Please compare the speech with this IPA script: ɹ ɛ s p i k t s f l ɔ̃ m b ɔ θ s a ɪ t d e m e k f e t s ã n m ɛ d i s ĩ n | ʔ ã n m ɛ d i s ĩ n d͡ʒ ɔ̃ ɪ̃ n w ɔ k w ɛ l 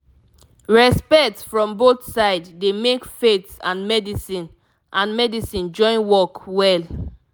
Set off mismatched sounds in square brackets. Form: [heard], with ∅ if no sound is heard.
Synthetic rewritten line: ɹ ɛ s p [ɛ] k t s f [ɹ] ɔ̃ m b [o] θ s a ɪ [d] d e m e k f e t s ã n m ɛ d i s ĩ n | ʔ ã n m ɛ d i s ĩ n d͡ʒ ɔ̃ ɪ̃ n w ɔ k w ɛ l